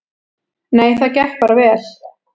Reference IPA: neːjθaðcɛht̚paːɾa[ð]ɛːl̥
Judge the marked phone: incorrect: v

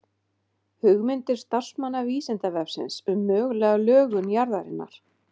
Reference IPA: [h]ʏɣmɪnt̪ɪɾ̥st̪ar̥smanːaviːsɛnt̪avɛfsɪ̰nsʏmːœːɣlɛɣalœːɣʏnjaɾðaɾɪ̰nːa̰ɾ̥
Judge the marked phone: correct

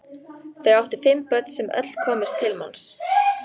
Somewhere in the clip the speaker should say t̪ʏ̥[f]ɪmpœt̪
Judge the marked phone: correct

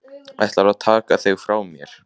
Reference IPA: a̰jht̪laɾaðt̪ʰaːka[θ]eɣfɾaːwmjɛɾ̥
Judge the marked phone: correct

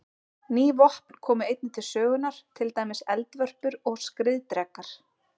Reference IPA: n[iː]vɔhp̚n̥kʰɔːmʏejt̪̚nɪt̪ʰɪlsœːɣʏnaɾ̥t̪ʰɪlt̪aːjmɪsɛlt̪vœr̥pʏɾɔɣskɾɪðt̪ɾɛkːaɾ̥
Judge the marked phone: correct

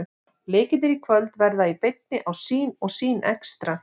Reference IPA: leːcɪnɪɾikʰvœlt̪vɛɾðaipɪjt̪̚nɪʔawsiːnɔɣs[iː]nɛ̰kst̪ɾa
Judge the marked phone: correct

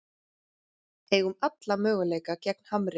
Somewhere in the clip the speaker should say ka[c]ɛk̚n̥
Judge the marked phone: correct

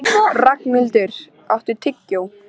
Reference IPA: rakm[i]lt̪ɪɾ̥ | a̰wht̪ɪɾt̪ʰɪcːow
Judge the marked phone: incorrect: ɪ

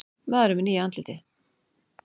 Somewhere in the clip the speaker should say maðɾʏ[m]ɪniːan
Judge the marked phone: correct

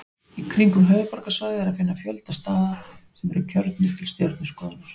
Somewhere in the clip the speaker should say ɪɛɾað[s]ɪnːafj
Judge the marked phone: incorrect: f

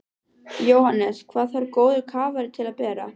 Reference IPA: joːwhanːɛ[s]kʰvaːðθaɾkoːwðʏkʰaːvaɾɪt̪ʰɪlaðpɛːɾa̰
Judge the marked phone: correct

